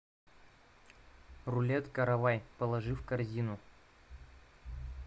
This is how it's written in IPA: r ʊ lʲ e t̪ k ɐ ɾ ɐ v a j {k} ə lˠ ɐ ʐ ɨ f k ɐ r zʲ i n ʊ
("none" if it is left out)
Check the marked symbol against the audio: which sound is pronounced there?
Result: p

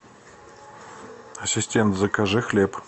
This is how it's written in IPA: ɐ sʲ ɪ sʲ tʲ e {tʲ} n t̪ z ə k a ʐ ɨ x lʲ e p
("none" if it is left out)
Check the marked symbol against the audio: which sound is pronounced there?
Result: none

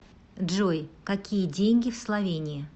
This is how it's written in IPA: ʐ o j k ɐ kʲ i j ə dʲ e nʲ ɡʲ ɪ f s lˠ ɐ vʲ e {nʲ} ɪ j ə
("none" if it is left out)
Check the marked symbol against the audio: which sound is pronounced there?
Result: nʲ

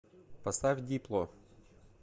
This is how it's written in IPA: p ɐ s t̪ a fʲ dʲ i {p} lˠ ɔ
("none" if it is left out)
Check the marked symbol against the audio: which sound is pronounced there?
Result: p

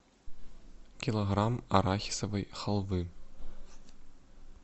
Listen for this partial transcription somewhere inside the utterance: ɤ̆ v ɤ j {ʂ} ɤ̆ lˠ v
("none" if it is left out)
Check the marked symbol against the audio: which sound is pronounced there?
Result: χ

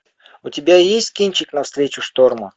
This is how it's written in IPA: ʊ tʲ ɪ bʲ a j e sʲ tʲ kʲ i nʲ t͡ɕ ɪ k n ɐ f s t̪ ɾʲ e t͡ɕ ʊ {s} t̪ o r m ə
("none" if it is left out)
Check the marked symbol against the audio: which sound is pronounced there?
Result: ʂ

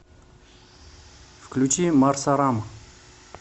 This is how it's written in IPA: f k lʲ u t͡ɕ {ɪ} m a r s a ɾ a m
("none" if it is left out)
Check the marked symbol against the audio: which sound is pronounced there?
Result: i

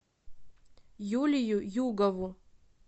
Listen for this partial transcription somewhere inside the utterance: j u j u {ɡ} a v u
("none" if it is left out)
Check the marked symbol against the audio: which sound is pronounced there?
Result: ɡ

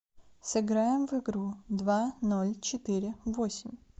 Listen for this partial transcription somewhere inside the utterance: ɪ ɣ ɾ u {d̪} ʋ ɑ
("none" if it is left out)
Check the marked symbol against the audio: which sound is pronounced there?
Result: d̪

